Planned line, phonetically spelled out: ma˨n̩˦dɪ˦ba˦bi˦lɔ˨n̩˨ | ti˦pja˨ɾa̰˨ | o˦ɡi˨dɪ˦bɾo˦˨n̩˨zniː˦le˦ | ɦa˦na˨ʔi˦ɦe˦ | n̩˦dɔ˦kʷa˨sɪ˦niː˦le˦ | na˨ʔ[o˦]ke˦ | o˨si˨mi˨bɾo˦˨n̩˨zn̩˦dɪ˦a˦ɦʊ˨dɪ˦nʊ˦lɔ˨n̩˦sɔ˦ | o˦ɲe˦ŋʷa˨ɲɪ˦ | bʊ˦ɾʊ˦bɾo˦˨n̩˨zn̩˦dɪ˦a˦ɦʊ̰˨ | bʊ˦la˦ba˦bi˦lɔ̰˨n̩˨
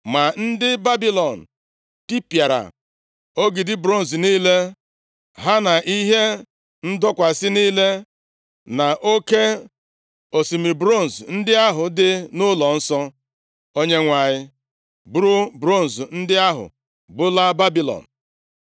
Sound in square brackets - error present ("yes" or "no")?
no